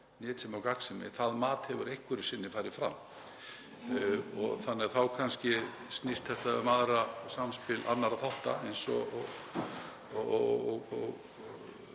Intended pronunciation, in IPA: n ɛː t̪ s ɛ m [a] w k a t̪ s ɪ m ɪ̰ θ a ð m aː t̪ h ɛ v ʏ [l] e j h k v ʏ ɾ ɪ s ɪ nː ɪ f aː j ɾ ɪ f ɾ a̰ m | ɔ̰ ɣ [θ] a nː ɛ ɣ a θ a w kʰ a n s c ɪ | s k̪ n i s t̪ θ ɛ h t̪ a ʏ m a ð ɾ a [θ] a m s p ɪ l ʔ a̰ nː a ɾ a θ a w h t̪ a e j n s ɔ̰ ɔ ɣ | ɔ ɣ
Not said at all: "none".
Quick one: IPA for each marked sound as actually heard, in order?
a, ɾ, θ, s

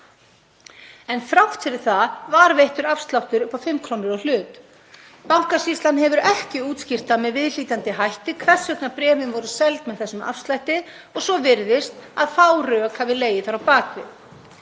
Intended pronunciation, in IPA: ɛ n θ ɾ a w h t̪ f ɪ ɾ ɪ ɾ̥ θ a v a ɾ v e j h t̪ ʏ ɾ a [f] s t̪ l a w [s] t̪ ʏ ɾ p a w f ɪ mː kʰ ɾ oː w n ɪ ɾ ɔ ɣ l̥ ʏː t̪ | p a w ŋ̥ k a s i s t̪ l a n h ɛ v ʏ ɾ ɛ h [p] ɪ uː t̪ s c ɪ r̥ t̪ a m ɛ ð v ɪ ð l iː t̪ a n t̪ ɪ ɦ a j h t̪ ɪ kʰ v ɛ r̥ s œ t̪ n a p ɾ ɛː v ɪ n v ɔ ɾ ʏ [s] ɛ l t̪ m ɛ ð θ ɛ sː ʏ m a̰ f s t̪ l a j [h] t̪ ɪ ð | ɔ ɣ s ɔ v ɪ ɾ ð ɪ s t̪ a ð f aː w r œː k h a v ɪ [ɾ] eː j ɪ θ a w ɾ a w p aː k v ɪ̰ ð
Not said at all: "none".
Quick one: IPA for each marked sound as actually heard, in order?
f, h, c, s, h, l

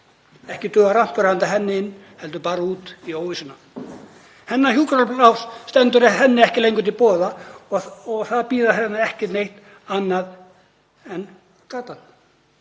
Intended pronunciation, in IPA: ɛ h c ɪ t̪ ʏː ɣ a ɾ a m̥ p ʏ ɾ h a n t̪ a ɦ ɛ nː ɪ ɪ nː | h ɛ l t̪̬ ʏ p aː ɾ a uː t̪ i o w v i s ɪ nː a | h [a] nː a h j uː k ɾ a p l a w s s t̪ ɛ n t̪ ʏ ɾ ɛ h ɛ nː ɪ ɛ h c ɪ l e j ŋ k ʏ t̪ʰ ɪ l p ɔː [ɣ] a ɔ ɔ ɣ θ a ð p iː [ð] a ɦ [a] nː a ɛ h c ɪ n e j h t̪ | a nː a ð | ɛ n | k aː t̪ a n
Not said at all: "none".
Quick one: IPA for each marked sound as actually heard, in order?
ɛ, ð, ð, ɛ

